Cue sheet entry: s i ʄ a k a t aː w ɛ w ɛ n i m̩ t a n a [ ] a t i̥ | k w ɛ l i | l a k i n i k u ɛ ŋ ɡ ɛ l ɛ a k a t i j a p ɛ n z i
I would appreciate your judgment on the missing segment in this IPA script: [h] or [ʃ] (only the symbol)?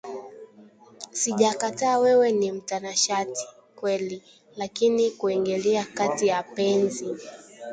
ʃ